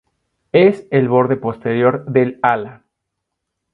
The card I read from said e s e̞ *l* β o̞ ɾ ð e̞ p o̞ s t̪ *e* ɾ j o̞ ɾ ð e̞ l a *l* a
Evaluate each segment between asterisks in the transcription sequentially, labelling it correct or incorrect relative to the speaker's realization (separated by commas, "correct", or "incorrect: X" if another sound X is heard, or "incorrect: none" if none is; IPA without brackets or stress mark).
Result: correct, correct, correct